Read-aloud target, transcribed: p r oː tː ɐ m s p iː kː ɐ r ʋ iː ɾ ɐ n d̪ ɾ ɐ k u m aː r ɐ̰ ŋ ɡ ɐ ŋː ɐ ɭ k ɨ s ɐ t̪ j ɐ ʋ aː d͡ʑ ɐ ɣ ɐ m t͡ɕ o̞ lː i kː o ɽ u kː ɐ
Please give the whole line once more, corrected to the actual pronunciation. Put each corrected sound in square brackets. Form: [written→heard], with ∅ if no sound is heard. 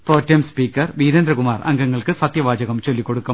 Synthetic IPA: p r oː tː ɐ m s p iː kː ɐ r ʋ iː ɾ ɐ n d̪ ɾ ɐ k u m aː r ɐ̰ ŋ ɡ ɐ ŋː ɐ ɭ k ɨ s ɐ t̪ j ɐ ʋ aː d͡ʑ ɐ ɣ ɐ m t͡ɕ o̞ lː i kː o ɽ u kː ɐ